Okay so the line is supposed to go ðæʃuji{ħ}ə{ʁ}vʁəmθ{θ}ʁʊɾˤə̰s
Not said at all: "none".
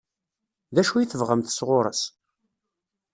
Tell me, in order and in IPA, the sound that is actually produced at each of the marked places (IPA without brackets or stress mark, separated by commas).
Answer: θ, none, s